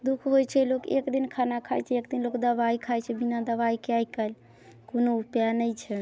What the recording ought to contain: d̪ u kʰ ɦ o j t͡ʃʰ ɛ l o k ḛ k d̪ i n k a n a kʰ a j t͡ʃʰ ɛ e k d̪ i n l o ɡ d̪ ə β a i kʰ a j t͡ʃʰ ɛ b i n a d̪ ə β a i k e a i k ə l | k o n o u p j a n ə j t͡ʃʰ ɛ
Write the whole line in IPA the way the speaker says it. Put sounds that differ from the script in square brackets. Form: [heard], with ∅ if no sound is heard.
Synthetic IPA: d̪ u kʰ ɦ o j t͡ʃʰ ɛ l o k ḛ k d̪ i n [kʰ] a n a kʰ a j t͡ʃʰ ɛ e k d̪ i n l o [k] d̪ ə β a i kʰ a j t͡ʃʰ ɛ b i n a d̪ ə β a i k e a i k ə l | k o n o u p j a n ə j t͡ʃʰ ɛ